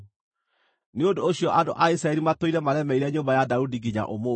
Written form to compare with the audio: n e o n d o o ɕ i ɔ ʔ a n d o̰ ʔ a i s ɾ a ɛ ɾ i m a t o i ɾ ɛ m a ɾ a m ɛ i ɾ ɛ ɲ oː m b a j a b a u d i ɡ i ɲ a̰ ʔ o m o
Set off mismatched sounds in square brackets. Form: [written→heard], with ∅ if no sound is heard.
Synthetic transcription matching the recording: n e o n d o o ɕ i ɔ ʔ a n d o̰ ʔ a i s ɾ a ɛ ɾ i m a t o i ɾ ɛ m a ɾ [a→ɛ] m ɛ i ɾ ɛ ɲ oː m b a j a [b→d] a u d i ɡ i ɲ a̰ ʔ o m o